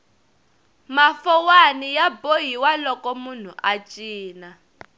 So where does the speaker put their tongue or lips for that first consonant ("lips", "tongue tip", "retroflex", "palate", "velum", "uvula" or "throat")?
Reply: lips